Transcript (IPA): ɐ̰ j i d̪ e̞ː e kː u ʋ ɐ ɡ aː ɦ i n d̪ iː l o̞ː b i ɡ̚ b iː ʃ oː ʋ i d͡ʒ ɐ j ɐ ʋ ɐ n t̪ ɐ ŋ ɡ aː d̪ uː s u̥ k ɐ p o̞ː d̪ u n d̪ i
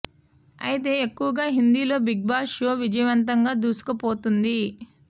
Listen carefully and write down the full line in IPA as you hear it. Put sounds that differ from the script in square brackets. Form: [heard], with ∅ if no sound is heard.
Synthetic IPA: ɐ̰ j i [t̪] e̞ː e kː u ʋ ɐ ɡ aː ɦ i n d̪ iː l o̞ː b i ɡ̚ b [aː] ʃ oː ʋ i d͡ʒ ɐ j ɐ ʋ ɐ n t̪ ɐ ŋ ɡ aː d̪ uː s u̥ k ɐ p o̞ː [t̪] u n d̪ i